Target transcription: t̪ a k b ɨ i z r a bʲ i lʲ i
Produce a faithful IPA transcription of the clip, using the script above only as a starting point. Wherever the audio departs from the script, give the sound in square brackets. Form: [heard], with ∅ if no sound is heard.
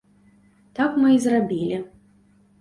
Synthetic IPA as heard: t̪ a k [m] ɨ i z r a bʲ i lʲ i